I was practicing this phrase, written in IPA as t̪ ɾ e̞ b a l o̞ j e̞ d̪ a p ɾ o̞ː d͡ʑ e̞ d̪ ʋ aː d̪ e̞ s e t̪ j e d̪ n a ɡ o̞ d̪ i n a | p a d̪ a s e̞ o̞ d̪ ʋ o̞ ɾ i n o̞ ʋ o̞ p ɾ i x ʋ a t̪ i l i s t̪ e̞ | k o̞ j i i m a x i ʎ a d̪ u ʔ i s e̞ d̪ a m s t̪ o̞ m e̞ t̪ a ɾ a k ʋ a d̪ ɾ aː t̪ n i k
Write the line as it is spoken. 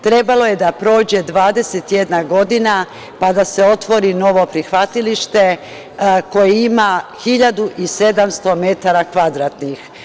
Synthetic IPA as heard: t̪ ɾ e̞ b a l o̞ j e̞ d̪ a p ɾ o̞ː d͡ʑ e̞ d̪ ʋ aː d̪ e̞ s e t̪ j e d̪ n a ɡ o̞ d̪ i n a | p a d̪ a s e̞ o̞ t̪ ʋ o̞ ɾ i n o̞ ʋ o̞ p ɾ i x ʋ a t̪ i l i ʃ t̪ e̞ | k o̞ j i i m a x i ʎ a d̪ u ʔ i s e̞ d̪ a m s t̪ o̞ m e̞ t̪ a ɾ a k ʋ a d̪ ɾ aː t̪ n i x